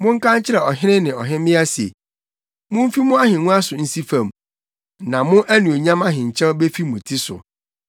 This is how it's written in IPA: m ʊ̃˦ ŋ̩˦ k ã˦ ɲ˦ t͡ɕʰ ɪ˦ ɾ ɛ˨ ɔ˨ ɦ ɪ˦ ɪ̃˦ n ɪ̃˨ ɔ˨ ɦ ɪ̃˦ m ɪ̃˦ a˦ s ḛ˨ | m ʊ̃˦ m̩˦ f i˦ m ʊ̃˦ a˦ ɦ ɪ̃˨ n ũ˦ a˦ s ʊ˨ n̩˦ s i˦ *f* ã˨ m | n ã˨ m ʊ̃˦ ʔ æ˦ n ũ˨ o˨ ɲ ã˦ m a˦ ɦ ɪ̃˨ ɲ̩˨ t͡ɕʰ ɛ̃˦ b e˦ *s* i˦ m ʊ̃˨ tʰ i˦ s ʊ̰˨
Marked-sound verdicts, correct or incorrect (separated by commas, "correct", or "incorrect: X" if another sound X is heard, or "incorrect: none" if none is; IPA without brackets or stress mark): correct, incorrect: f